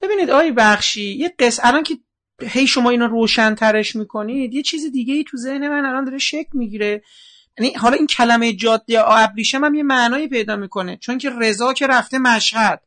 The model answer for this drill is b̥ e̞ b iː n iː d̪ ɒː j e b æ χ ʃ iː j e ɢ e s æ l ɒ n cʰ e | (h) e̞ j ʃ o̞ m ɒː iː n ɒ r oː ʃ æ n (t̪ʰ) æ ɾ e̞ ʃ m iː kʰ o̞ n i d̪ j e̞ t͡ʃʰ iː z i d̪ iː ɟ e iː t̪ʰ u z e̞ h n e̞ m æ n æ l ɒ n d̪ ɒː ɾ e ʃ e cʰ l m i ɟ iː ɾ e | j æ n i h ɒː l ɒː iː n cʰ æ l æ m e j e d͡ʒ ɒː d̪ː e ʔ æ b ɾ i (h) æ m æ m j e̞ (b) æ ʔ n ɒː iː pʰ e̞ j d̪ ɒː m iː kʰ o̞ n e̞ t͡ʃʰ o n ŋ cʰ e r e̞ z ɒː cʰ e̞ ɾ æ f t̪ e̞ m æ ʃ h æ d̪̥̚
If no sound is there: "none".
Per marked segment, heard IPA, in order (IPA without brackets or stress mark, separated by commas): h, t̪ʰ, ʃ, m